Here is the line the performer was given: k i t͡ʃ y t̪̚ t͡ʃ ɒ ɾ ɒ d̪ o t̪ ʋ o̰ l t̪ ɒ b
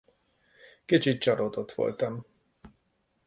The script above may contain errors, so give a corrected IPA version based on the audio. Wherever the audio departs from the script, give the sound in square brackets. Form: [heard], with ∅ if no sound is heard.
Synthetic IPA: k i t͡ʃ [i] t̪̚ t͡ʃ ɒ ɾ [o] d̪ o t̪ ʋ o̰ l t̪ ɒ [m]